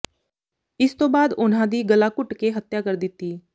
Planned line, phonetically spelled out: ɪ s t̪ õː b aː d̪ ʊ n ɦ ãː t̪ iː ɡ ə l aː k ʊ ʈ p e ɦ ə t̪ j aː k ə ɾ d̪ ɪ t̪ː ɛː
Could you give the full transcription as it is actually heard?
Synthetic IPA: ɪ s t̪ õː b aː d̪ ʊ n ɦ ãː d̪ iː ɡ ə l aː k ʊ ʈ k e ɦ ə t̪ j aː k ə ɾ d̪ ɪ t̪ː iː